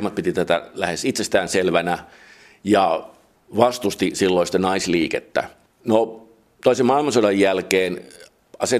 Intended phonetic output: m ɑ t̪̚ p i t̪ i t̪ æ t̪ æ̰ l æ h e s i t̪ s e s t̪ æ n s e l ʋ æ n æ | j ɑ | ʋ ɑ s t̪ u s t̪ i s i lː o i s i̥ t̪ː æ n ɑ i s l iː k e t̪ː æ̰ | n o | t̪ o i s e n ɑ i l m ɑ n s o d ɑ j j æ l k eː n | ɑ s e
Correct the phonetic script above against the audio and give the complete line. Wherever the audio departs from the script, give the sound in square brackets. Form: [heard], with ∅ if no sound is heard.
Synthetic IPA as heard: m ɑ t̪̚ p i t̪ i t̪ æ t̪ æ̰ l æ h e s i t̪ s e s t̪ [æː] n s e l ʋ æ n æ | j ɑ | ʋ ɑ s t̪ u s t̪ i s i lː o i s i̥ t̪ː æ n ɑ i s l iː k e t̪ː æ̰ | n o | t̪ o i s e [m] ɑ i l m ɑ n s o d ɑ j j æ l k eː n | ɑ s e